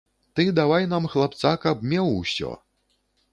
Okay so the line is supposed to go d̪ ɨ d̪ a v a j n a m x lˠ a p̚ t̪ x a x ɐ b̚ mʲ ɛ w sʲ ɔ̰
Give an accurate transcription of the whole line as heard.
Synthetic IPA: t̪ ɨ d̪ a v a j n a m x lˠ a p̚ t̪ s a k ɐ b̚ mʲ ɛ w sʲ ɔ̰